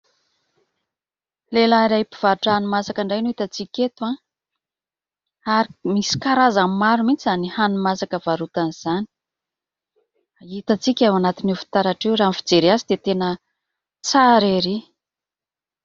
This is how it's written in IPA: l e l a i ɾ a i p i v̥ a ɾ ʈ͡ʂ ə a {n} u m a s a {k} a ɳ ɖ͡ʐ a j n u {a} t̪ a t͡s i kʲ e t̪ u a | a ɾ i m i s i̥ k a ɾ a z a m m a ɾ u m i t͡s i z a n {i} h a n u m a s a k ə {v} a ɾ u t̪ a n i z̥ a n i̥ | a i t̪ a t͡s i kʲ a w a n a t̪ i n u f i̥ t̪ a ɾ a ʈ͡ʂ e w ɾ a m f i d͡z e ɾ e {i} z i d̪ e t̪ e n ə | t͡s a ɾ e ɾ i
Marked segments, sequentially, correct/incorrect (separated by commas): correct, correct, incorrect, correct, correct, incorrect